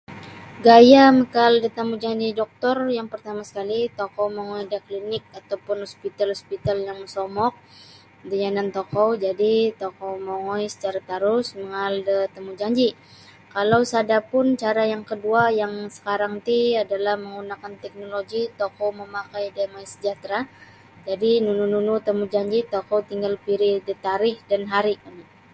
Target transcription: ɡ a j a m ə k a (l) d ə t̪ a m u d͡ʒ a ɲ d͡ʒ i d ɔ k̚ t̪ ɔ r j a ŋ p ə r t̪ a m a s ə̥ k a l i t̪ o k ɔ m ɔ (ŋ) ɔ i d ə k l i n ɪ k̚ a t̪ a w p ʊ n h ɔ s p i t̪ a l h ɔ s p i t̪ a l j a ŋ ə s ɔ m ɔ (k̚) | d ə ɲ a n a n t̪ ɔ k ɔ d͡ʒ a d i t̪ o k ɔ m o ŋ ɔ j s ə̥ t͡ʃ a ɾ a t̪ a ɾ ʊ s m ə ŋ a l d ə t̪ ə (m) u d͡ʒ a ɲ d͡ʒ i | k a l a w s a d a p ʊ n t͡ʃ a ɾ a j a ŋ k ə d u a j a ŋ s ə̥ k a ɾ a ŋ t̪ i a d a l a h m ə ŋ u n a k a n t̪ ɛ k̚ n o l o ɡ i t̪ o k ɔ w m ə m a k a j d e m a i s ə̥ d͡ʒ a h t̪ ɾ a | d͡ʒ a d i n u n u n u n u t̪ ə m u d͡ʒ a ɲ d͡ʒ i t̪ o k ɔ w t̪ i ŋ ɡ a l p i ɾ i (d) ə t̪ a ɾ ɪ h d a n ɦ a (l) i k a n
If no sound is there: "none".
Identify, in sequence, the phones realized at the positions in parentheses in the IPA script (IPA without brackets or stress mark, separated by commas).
l, ŋ, k̚, m, d, ɾ